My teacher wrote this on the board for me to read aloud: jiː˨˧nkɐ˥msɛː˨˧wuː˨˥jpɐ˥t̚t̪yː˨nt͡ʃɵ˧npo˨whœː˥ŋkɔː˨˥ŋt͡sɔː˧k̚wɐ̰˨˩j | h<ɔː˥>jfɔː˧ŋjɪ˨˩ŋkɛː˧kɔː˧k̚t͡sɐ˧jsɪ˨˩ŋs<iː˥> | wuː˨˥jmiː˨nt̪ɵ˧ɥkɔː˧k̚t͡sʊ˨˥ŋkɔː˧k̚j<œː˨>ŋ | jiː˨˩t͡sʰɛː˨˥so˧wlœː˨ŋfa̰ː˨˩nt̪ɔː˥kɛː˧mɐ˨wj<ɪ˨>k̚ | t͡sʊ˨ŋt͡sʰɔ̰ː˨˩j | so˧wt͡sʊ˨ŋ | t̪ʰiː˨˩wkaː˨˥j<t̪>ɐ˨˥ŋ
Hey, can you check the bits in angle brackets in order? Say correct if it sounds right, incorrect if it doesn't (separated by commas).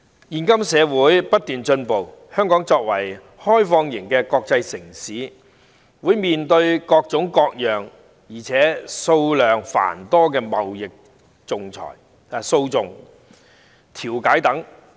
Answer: correct, incorrect, correct, correct, correct